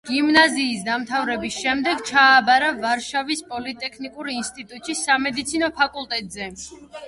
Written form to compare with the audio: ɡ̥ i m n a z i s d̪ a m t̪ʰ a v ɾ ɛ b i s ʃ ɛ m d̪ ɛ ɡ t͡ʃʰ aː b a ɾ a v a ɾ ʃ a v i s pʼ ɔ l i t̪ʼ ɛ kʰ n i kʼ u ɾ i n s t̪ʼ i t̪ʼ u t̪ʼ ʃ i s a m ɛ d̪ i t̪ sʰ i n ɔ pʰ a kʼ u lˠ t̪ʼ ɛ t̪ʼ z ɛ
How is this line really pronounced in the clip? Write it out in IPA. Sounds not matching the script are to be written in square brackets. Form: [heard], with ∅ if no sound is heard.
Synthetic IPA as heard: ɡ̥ i m n a z [iː] s d̪ a m t̪ʰ a v ɾ ɛ b i s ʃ ɛ m d̪ ɛ ɡ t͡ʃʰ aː b a ɾ a v a ɾ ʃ a v i s pʼ ɔ l i t̪ʼ ɛ kʰ n i kʼ u ɾ i n s t̪ʼ i t̪ʼ u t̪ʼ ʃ i s a m ɛ d̪ i t̪ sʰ i n ɔ pʰ a kʼ u lˠ t̪ʼ ɛ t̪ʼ z ɛ